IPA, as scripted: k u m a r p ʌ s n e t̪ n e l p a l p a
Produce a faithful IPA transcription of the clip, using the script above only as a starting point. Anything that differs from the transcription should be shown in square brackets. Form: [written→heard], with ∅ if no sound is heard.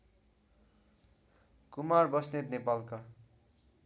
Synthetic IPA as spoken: k u m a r [p→b] ʌ s n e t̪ n e [l→∅] p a l [p→k] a